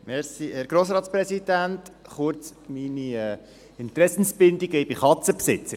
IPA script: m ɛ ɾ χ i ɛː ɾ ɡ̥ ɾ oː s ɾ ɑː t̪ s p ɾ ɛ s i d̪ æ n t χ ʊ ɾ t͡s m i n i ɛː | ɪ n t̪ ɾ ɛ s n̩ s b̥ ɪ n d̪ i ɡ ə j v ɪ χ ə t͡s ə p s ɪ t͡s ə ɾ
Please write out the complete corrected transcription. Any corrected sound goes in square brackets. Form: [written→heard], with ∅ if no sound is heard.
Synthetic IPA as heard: m ɛ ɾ [χ→s] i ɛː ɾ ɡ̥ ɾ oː s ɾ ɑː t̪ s p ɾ ɛ s i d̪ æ n t χ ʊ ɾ t͡s m i n i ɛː | ɪ n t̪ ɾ ɛ s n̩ s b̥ ɪ n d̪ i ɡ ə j [v→b] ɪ χ [ə→ɑ] t͡s ə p s ɪ t͡s ə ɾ

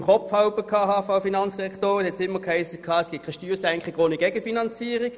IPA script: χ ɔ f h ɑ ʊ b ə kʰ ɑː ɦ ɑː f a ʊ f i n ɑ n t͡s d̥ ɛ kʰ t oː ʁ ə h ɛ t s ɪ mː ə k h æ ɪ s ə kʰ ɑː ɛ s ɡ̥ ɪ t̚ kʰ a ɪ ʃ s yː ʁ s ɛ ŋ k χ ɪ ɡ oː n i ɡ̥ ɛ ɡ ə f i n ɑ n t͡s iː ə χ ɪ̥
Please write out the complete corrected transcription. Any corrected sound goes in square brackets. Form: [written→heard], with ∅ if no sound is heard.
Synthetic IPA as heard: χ ɔ f h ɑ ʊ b ə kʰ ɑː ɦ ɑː f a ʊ f i n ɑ n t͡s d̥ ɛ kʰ t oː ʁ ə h ɛ t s ɪ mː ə k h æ ɪ s ə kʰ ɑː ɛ s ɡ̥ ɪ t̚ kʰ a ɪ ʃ [s→t] yː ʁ s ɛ ŋ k χ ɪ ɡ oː n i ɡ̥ ɛ ɡ ə f i n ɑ n t͡s iː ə [χ→ʁ] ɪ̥

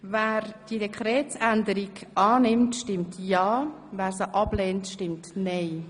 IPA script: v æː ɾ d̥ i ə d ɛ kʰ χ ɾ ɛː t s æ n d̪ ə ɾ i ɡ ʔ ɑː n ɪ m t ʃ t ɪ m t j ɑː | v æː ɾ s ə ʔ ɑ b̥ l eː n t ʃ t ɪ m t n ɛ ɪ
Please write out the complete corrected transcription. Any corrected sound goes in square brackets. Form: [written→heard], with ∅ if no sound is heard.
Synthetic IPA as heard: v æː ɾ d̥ i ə d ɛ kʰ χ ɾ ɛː t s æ n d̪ ə ɾ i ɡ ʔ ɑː n ɪ m t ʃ t ɪ m t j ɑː | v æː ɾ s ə ʔ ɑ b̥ l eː n t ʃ t ɪ m t n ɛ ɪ

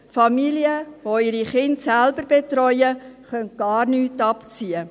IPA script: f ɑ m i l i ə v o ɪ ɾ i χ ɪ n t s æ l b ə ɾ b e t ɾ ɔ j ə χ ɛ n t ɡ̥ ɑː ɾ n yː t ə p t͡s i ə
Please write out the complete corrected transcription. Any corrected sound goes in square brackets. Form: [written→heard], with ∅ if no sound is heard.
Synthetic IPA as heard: f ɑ m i l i ə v o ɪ ɾ i χ ɪ n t s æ l b ə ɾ b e t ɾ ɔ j ə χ [ɛ→œ] n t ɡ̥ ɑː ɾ n yː t [ə→ɑ] p t͡s i ə

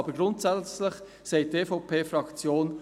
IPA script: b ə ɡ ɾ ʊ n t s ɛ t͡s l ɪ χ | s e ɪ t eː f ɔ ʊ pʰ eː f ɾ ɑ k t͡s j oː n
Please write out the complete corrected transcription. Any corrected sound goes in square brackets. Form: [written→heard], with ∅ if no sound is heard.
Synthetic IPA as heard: b ə ɡ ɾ ʊ n t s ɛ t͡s l ɪ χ | s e ɪ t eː f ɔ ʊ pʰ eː f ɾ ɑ k t͡s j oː n

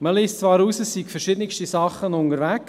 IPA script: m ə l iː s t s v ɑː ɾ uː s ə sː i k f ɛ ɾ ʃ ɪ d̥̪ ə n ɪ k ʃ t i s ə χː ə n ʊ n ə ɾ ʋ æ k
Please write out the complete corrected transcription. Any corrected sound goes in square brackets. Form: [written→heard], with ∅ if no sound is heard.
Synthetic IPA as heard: m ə l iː s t [s→t͡s] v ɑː ɾ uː s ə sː i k f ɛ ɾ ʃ ɪ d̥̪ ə n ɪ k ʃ t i s [ə→ɑ] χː ə n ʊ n ə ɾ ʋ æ k

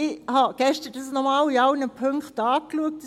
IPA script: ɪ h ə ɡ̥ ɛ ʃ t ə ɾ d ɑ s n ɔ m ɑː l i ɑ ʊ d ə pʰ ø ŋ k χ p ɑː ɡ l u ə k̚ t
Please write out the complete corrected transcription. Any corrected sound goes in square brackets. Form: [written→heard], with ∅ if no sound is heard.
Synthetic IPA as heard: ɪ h [ə→ɑ] ɡ̥ ɛ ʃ t ə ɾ d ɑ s n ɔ m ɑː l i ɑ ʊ [d→n] ə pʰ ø ŋ k χ [p→t] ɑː [ɡ→k] l u ə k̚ t

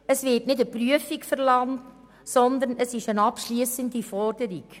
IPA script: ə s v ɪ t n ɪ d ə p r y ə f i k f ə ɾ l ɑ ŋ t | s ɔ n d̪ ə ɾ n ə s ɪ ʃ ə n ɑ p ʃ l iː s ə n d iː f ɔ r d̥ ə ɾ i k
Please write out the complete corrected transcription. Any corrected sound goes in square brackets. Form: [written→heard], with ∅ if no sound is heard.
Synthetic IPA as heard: ə s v ɪ t n ɪ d ə p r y ə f i k f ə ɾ l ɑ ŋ t | s ɔ n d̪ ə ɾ n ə s ɪ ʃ ə n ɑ p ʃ l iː s ə n d [iː→i] f ɔ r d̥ ə ɾ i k

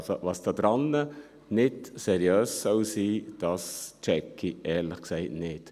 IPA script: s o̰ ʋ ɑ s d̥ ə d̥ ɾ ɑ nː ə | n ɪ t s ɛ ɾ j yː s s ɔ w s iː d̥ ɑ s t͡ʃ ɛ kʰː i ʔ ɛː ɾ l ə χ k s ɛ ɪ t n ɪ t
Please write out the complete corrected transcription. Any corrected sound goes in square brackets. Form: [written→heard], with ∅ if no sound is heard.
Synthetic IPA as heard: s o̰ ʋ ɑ s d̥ [ə→ɑ] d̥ ɾ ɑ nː ə | n ɪ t s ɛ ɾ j [yː→øː] s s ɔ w s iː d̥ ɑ s t͡ʃ ɛ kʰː i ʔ ɛː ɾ l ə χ k s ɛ ɪ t n ɪ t

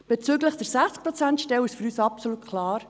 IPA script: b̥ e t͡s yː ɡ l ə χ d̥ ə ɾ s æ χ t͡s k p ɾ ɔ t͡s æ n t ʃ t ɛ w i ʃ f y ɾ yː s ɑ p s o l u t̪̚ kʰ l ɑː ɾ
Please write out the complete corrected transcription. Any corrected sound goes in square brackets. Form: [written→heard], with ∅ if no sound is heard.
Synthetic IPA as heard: b̥ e t͡s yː ɡ l ə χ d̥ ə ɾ s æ χ t͡s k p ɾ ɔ t͡s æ n t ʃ t ɛ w [i→ɪ] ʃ f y ɾ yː s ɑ p s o l u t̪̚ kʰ l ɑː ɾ

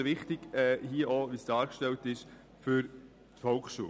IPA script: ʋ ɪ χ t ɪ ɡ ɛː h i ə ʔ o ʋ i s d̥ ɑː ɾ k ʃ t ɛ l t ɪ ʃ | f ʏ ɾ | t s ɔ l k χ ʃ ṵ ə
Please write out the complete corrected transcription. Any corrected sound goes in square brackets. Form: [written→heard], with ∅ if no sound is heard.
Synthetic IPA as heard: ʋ ɪ χ t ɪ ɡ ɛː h i ə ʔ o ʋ i s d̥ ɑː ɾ k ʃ t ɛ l t ɪ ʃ | f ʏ ɾ | t [s→f] ɔ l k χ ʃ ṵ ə

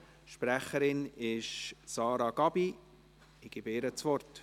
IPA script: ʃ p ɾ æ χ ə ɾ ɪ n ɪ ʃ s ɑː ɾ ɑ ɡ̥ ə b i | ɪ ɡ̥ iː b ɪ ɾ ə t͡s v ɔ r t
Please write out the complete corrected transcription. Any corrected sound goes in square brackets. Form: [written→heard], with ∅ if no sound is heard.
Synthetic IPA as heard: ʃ p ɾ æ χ ə ɾ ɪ n ɪ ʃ s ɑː ɾ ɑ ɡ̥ [ə→ɑ] b i | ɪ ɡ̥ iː b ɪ ɾ ə t͡s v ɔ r t

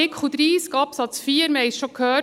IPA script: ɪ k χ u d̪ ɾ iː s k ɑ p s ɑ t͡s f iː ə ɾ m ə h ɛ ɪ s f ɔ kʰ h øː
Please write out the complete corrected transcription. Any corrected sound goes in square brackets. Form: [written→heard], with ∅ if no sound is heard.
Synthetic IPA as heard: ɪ k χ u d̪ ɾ iː s k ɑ p s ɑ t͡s f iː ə ɾ m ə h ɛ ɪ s [f→ʃ] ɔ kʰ h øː

